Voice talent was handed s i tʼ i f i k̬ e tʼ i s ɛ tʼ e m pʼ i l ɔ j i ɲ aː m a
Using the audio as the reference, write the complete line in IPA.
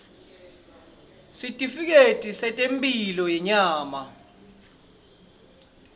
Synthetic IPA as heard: s i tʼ i f i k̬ e tʼ i s ɛ tʼ e m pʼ i l ɔ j ɛ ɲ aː m a